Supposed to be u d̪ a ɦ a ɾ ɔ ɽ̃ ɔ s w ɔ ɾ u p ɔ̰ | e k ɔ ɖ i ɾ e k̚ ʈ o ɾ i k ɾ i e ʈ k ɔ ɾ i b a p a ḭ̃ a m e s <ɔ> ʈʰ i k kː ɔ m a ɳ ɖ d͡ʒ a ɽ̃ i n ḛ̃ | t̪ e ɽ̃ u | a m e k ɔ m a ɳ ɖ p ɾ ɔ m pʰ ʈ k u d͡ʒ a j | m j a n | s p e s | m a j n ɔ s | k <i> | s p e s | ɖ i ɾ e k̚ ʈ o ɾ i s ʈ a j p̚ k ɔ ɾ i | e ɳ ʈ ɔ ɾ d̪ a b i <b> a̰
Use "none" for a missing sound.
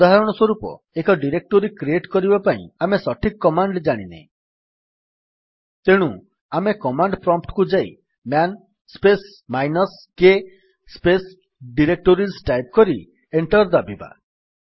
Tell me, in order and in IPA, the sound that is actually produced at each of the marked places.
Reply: ɔ, e, b

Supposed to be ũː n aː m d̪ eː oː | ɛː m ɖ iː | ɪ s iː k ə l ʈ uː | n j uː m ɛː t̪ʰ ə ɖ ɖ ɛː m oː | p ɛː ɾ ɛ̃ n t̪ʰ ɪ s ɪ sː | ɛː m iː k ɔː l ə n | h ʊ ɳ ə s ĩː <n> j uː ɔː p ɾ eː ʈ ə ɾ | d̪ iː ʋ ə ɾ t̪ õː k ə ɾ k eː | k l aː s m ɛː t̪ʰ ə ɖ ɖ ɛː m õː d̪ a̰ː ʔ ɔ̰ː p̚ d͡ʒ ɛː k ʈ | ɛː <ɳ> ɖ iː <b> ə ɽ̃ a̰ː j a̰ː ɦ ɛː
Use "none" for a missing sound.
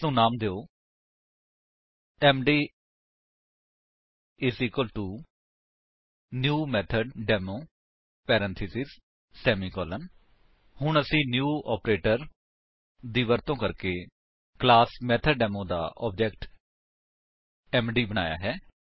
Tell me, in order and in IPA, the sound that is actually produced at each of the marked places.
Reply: n, m, b

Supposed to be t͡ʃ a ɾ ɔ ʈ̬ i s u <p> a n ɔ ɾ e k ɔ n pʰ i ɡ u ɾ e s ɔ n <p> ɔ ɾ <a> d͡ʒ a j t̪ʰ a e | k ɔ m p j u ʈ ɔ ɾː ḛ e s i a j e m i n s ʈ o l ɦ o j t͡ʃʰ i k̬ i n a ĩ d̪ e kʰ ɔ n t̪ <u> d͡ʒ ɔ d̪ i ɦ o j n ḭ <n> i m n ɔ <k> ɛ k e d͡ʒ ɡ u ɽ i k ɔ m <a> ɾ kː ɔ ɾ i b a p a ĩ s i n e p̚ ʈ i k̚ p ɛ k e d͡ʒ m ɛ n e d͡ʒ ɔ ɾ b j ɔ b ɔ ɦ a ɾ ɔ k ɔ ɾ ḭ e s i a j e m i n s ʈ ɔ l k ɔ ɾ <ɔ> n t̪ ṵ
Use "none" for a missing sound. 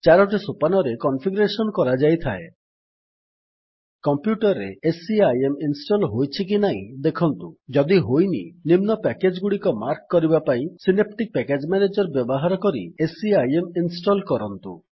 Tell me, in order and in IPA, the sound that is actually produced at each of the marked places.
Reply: p, k, a, u, n, p, a, ɔ

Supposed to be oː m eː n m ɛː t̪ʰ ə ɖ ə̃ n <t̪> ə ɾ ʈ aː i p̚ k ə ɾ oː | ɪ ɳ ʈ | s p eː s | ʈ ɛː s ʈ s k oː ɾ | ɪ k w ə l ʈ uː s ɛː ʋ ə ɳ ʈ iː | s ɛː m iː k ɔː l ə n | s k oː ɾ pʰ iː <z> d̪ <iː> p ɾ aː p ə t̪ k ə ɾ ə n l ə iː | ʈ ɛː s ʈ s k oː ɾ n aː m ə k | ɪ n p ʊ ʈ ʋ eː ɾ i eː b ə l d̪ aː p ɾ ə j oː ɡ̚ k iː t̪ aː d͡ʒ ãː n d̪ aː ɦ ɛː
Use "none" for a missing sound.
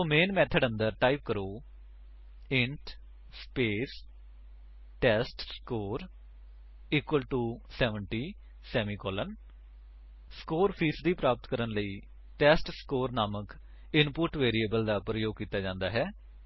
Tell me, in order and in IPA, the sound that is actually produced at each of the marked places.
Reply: d̪, s, iː

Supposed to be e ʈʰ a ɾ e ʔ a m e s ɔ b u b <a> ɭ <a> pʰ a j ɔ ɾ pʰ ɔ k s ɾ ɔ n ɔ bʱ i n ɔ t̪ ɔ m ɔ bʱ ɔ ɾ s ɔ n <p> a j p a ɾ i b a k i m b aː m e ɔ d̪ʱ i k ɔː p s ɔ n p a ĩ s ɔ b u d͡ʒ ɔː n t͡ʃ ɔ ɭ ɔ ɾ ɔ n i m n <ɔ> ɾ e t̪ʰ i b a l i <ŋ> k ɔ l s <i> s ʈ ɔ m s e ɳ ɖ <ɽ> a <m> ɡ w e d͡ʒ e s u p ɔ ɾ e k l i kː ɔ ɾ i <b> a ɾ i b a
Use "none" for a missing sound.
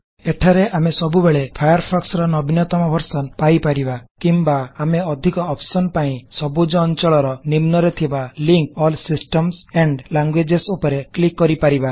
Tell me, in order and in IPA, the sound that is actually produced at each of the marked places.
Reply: e, e, p, ɔ, ŋ, i, l, ŋ, p

